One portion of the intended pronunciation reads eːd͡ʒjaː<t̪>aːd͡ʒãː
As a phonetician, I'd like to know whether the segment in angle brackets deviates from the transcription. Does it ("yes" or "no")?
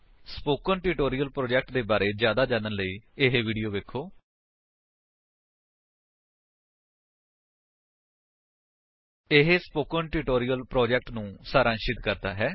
yes